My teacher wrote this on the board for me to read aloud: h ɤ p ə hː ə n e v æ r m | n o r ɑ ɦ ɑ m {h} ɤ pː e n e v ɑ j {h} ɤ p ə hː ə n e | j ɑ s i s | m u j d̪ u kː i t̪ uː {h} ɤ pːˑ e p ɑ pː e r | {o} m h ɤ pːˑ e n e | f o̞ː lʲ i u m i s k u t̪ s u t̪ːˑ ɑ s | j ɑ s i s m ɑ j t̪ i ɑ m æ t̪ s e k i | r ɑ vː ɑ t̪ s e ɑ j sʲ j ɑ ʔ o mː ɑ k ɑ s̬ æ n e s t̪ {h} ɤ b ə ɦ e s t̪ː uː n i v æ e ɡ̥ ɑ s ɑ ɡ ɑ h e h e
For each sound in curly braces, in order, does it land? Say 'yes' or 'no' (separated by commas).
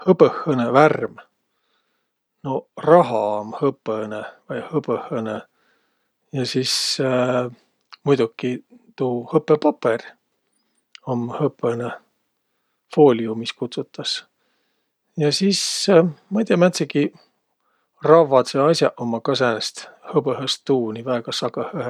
yes, yes, yes, yes, yes